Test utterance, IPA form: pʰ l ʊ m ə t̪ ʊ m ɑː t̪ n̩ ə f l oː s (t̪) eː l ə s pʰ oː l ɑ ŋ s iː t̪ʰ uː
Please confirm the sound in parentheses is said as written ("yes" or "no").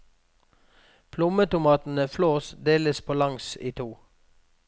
no